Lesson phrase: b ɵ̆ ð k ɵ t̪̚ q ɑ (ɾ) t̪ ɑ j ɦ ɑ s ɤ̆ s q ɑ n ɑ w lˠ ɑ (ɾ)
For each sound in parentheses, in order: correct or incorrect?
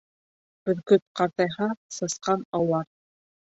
correct, correct

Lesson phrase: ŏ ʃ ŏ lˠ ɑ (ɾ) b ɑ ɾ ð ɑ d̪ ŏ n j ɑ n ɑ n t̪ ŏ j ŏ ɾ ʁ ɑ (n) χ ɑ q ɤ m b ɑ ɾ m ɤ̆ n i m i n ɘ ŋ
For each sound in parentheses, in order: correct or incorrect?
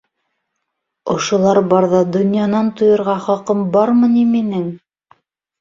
correct, incorrect: none

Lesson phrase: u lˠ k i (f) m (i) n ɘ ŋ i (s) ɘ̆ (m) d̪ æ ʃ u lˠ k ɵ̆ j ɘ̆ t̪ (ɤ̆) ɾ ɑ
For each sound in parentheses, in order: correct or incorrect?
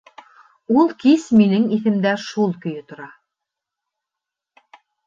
incorrect: s, correct, incorrect: θ, correct, incorrect: ŏ

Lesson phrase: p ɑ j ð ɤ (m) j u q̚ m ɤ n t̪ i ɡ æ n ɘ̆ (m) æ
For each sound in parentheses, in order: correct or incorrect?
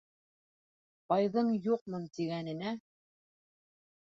incorrect: ɴ, incorrect: n

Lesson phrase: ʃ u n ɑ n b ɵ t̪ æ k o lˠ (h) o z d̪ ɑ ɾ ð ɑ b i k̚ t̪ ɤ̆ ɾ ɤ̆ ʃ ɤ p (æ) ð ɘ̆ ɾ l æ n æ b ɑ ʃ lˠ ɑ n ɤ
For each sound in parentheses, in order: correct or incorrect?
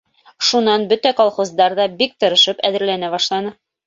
incorrect: χ, correct

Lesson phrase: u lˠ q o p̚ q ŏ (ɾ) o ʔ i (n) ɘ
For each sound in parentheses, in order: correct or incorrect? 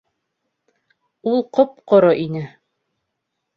correct, correct

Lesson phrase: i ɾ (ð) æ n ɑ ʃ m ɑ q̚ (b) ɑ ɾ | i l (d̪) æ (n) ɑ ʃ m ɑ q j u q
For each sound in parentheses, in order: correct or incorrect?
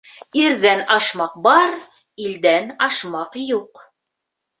correct, correct, correct, correct

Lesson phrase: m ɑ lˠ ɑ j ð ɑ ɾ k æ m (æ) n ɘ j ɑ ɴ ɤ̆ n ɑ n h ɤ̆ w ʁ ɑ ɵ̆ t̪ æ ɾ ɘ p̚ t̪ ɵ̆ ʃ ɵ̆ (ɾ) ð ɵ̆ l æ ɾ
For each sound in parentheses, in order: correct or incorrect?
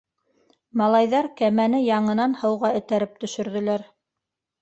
correct, correct

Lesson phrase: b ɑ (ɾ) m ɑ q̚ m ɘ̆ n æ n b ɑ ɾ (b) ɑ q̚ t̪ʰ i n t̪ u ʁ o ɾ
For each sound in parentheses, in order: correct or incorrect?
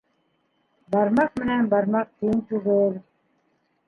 correct, incorrect: m

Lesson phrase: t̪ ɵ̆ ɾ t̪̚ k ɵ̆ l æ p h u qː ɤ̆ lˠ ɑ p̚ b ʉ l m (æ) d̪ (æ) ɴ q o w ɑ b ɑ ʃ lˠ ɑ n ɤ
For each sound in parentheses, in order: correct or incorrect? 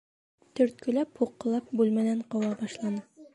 correct, correct

